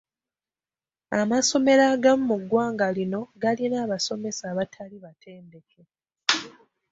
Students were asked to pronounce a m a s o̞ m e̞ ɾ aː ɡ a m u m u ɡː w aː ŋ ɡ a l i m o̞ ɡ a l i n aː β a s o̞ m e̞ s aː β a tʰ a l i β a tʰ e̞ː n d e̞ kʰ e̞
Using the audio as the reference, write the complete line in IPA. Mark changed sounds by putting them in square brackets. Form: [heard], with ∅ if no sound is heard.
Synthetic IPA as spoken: a m a s o̞ m e̞ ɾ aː ɡ a m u m u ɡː w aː ŋ ɡ a l i [n] o̞ ɡ a l i n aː β a s o̞ m e̞ s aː β a tʰ a l i β a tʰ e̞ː n d e̞ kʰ e̞